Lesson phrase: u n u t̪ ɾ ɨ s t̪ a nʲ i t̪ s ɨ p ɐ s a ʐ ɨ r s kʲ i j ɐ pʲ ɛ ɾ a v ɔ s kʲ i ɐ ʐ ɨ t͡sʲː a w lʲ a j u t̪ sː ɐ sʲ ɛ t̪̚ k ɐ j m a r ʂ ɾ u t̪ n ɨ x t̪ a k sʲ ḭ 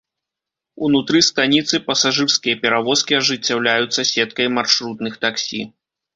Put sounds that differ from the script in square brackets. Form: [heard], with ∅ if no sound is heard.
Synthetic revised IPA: u n u t̪ ɾ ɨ s t̪ a nʲ i t̪ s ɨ p ɐ s a ʐ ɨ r s kʲ i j ɐ pʲ ɛ ɾ a v ɔ s kʲ i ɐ ʐ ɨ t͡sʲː a w lʲ a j u t̪ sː ɐ sʲ ɛ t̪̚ k ɐ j m a r ʂ ɾ u t̪ n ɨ x t̪ a k sʲ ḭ